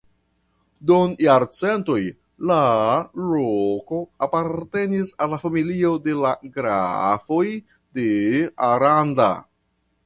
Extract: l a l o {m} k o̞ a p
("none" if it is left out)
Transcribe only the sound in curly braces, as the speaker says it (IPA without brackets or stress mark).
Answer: none